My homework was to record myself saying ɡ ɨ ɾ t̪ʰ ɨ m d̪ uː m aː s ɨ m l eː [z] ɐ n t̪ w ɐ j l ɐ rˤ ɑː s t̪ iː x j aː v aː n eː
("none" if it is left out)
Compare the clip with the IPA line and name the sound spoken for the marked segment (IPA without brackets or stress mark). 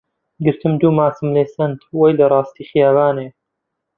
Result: s